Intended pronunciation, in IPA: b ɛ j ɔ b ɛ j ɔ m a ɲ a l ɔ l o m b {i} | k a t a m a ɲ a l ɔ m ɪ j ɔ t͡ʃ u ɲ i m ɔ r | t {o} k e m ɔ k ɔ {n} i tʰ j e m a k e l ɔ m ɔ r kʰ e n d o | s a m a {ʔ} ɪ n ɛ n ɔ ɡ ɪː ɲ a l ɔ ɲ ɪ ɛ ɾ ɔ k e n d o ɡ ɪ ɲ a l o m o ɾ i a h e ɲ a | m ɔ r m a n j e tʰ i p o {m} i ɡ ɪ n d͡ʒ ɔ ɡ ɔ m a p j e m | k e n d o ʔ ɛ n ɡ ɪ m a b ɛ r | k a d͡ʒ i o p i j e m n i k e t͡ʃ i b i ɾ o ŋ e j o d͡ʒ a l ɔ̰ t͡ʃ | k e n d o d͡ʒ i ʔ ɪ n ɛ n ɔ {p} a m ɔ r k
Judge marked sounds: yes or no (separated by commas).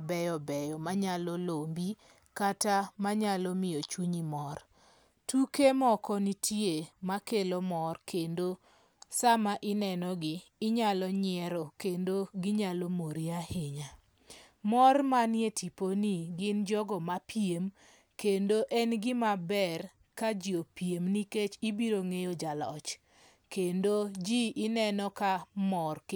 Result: yes, no, yes, yes, no, no